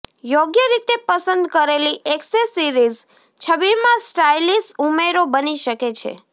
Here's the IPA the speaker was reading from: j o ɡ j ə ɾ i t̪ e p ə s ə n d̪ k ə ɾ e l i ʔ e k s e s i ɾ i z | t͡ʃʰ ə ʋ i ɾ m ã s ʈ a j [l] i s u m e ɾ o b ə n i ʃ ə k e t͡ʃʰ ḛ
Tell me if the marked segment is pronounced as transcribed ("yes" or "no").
yes